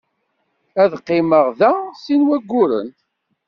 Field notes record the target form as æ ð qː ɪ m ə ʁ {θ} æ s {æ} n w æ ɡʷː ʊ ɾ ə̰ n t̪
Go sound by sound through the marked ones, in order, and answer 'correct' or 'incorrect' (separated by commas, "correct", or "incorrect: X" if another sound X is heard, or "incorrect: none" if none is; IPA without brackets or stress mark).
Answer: incorrect: ð, incorrect: i